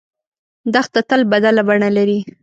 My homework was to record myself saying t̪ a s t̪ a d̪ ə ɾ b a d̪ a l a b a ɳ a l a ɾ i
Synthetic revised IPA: d̪ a x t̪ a t̪ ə l b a d̪ a l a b a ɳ a l a ɾ i